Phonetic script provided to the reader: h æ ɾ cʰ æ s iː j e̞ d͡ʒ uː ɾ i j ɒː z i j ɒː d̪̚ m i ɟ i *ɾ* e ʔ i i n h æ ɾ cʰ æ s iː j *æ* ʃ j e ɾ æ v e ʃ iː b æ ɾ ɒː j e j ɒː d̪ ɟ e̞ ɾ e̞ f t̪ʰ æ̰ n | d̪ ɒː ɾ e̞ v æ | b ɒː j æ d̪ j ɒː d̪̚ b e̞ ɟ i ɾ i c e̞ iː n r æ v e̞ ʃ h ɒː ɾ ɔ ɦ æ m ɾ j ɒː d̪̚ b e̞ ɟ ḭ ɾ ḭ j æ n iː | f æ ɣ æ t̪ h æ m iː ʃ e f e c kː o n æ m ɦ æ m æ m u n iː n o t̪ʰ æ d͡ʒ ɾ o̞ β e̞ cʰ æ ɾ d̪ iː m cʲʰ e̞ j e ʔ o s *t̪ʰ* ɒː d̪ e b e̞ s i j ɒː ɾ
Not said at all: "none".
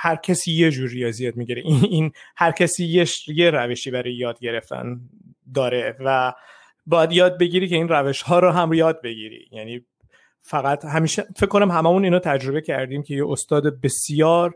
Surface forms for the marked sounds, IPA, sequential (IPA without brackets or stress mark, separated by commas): ɾ, e, t̪